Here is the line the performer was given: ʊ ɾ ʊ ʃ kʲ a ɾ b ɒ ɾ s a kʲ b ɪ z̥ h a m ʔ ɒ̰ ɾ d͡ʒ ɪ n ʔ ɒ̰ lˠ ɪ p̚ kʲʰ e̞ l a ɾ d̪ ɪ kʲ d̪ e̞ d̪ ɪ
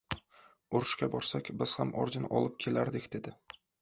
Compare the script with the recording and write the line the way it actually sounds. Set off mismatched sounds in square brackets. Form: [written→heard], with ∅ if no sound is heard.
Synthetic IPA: ʊ ɾ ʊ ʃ kʲ a [ɾ→∅] b ɒ ɾ s a kʲ b ɪ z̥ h a m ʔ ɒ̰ ɾ d͡ʒ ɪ n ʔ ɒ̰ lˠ ɪ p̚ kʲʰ e̞ l a ɾ d̪ ɪ kʲ d̪ e̞ d̪ ɪ